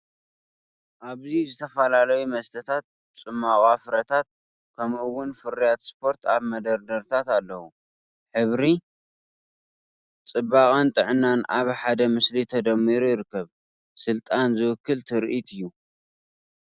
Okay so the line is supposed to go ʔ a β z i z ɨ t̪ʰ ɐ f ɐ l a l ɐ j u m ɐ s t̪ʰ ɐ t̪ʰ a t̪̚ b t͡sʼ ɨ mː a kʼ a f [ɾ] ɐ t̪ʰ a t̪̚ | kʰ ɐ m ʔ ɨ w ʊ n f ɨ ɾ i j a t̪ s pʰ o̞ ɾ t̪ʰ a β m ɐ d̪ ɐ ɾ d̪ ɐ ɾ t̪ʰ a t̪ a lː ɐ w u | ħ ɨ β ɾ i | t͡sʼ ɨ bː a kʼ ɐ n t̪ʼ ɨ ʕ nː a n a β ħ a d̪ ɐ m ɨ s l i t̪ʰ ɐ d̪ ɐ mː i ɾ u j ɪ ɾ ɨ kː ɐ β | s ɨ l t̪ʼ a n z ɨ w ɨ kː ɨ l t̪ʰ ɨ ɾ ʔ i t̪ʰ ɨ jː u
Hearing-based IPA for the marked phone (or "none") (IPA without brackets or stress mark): ɾ